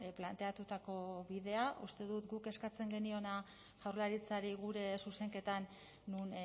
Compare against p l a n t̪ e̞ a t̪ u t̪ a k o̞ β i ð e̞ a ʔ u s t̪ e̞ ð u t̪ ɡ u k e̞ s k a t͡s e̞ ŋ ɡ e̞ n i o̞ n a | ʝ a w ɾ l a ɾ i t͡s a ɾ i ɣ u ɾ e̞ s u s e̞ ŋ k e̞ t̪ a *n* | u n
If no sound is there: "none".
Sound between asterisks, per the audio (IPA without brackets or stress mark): nː